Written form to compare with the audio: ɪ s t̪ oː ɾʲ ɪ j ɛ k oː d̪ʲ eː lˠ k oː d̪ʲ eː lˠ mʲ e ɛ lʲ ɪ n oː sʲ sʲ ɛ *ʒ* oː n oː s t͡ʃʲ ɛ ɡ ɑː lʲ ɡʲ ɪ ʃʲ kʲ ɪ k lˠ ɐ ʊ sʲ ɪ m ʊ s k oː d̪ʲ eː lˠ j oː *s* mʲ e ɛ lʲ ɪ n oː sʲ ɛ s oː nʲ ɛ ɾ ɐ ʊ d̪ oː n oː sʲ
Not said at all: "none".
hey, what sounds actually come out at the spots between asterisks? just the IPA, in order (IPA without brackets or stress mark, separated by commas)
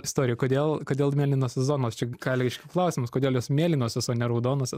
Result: z, s